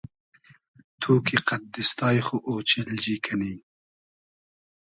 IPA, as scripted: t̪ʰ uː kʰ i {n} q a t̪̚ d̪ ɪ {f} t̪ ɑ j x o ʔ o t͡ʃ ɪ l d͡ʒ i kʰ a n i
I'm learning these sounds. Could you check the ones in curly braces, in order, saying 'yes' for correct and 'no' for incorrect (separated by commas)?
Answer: no, no